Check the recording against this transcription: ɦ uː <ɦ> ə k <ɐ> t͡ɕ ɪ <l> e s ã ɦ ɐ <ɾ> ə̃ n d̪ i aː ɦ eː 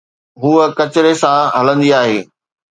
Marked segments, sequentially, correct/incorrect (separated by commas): incorrect, correct, incorrect, incorrect